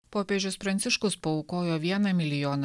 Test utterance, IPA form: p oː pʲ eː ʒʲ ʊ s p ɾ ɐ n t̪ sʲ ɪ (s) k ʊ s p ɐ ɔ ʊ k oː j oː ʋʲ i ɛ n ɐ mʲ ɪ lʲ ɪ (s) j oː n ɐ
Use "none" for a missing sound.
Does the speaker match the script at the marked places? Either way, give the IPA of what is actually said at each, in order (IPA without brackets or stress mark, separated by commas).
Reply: ʃ, none